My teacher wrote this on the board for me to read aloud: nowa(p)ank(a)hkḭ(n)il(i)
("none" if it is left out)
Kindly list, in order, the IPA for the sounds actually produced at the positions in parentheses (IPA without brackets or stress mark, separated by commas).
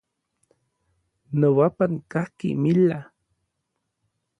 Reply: p, a, m, a